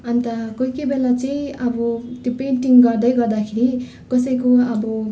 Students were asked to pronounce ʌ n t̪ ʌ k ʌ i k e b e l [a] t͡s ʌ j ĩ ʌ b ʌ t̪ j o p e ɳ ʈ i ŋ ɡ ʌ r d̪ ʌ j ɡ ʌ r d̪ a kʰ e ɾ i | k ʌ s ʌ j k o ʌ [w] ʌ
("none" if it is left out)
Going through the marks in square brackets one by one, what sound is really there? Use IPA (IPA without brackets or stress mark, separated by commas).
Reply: a, b